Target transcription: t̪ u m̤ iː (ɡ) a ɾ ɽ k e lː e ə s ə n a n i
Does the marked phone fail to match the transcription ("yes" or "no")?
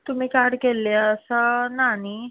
yes